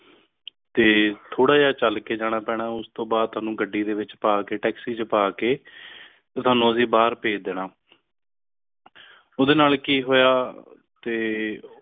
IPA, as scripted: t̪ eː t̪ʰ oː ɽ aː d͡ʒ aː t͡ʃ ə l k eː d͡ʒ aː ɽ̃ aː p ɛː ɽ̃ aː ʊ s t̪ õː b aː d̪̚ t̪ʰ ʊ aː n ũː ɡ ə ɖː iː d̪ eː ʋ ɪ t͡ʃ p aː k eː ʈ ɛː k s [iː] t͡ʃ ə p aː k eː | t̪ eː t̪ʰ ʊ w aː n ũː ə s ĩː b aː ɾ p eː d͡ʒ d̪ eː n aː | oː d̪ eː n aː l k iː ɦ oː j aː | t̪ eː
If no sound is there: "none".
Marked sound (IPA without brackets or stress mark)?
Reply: iː